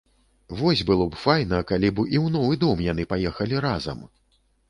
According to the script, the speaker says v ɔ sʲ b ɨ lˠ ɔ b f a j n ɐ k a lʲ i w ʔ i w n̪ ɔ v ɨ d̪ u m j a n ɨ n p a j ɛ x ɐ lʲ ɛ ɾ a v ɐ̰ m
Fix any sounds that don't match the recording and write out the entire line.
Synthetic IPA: v ɔ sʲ b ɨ lˠ ɔ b f a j n ɐ k a lʲ i b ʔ i w n̪ ɔ v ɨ d̪ ɔ m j a n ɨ p a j ɛ x ɐ lʲ i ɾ a z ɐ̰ m